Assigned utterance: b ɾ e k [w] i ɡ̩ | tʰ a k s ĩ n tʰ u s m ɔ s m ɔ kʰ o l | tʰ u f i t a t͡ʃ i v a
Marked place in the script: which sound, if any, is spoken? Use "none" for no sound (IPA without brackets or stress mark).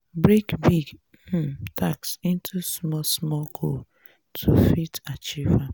b